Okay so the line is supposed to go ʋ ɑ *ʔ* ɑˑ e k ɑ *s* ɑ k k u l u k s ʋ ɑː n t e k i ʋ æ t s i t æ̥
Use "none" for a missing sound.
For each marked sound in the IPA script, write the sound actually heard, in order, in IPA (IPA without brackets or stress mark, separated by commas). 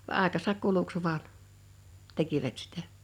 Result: ʔ, s